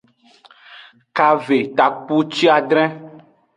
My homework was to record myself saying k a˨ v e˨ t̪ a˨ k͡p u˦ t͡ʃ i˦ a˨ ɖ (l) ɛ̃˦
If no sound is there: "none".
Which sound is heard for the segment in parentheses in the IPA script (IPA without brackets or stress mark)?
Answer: ɾ